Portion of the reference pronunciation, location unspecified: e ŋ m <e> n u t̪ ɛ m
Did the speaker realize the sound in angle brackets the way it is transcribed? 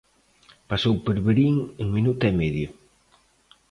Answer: no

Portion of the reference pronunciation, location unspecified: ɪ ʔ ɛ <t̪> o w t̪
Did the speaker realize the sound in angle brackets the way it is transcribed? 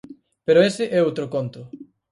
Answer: no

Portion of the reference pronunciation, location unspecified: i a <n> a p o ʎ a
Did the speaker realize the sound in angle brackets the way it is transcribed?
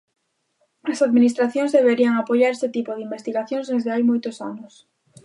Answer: no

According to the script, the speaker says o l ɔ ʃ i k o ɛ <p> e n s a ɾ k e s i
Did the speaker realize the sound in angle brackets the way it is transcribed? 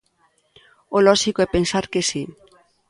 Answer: yes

